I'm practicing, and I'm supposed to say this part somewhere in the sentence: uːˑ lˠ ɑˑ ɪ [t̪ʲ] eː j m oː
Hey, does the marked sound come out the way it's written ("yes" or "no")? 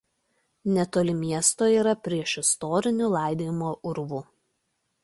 no